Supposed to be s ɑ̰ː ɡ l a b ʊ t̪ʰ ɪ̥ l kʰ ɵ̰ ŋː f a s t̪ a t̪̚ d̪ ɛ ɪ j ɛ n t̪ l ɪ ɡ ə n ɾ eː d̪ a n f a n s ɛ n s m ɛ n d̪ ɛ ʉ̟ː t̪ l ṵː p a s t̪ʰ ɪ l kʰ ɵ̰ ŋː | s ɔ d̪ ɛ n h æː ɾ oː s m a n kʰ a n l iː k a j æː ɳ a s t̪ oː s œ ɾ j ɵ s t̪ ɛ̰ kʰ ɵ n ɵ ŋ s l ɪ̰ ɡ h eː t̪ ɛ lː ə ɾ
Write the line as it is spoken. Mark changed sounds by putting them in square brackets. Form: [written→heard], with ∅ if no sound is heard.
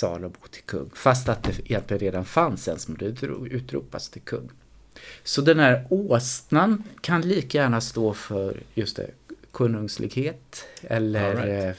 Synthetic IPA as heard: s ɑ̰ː [ɡ→∅] l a b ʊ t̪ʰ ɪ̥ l kʰ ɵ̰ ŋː f a s t̪ a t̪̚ d̪ ɛ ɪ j ɛ n t̪ l ɪ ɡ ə n ɾ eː d̪ a n f a n s ɛ n s m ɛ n d̪ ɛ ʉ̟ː t̪ [l→ɾ] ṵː p a s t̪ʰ ɪ l kʰ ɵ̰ ŋː | s ɔ d̪ ɛ n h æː ɾ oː s [m→n] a n kʰ a n l iː k a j æː ɳ a s t̪ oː [s→f] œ ɾ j ɵ s t̪ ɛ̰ kʰ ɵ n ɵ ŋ s l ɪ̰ ɡ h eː t̪ ɛ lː ə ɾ